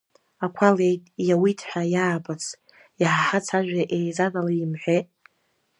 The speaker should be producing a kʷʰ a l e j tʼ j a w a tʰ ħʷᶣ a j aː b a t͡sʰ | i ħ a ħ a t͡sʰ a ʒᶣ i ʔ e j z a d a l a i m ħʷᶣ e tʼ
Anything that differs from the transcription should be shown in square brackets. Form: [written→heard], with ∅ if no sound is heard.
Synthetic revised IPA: a kʷʰ a l e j tʼ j a w [a→i] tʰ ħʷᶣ a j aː b a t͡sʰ | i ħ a ħ a t͡sʰ a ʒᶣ [i→a] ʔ e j z a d a l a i m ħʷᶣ e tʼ